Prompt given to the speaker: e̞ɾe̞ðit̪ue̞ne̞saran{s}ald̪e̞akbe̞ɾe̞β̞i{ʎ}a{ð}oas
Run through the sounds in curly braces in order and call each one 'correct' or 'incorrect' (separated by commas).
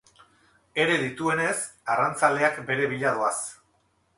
incorrect, correct, correct